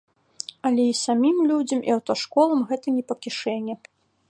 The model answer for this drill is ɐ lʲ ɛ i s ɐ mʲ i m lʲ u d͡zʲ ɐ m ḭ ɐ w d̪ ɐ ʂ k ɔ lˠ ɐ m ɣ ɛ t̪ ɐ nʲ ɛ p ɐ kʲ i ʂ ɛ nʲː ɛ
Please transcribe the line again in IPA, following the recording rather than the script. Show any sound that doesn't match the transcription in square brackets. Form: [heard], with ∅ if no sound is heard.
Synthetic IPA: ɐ lʲ ɛ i s [a] mʲ i m lʲ u d͡zʲ ɐ m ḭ ɐ w [t̪] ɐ ʂ k ɔ lˠ ɐ m ɣ ɛ t̪ ɐ nʲ ɛ p ɐ kʲ i ʂ ɛ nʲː ɛ